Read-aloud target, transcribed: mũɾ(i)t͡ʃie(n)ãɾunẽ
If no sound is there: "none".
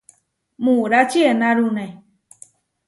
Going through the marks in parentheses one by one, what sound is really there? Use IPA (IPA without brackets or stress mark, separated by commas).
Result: a, n